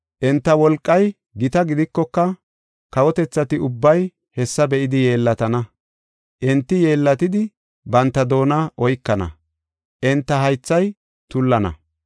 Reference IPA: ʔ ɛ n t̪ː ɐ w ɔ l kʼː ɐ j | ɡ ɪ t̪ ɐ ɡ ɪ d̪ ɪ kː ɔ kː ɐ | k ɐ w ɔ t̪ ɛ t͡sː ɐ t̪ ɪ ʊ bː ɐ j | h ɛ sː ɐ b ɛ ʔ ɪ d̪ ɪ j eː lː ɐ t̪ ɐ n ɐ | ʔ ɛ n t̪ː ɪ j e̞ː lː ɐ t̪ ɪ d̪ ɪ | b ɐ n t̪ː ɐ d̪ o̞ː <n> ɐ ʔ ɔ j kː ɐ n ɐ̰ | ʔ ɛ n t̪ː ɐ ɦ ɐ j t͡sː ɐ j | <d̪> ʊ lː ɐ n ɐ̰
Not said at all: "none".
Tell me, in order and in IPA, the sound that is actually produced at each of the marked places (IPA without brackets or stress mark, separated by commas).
n, t̪